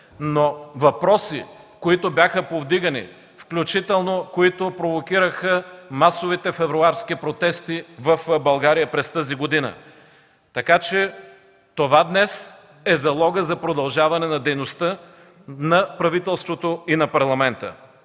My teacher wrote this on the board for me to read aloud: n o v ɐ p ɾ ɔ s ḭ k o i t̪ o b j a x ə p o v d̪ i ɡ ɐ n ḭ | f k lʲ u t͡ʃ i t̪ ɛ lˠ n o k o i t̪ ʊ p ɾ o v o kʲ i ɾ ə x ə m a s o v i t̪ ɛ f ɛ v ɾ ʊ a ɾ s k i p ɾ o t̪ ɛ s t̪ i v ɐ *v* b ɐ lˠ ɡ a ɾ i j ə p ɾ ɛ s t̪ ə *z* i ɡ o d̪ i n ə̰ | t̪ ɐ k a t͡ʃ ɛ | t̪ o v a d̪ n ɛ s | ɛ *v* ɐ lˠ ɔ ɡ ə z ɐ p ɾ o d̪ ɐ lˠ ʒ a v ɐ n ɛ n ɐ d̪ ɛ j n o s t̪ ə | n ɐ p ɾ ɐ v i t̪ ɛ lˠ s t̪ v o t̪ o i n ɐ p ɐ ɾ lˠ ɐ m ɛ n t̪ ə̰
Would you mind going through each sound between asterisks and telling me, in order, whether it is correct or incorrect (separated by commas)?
incorrect, correct, incorrect